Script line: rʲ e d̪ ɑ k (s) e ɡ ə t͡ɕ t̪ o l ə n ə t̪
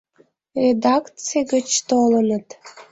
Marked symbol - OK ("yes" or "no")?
no